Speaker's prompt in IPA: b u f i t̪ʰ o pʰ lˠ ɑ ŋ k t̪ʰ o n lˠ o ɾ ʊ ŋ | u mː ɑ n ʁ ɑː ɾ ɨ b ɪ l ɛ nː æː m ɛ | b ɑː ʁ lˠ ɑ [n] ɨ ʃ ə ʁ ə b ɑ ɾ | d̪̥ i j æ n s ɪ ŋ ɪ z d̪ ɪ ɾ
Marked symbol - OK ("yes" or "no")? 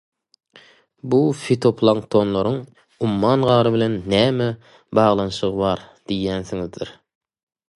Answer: yes